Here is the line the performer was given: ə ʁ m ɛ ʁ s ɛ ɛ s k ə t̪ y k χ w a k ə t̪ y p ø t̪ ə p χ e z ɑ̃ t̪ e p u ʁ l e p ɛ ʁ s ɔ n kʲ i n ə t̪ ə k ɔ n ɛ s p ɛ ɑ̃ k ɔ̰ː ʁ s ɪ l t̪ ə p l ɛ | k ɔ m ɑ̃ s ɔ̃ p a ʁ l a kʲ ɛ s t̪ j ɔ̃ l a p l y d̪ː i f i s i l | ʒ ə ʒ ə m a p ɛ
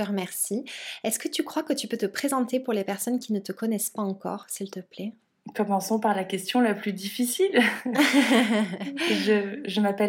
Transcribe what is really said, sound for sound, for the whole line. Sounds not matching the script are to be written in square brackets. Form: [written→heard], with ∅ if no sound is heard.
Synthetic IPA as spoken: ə ʁ m ɛ ʁ s [ɛ→i] ɛ s k ə t̪ y k χ w a k ə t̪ y p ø t̪ ə p χ e z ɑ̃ t̪ e p u ʁ l e p ɛ ʁ s ɔ n kʲ i n ə t̪ ə k ɔ n ɛ s p [ɛ→a] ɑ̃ k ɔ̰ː ʁ s [ɪ→i] l t̪ ə p l ɛ | k ɔ m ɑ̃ s ɔ̃ p a ʁ l a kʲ ɛ s t̪ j ɔ̃ l a p l y [d̪ː→d̪] i f i s i l | ʒ ə ʒ ə m a p ɛ